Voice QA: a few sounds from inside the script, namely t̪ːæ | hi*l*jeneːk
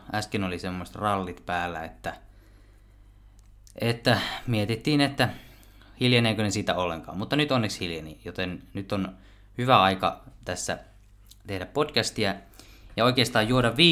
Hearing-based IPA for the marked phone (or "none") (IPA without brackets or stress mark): l